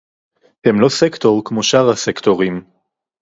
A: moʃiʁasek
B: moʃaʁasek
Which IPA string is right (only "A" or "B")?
B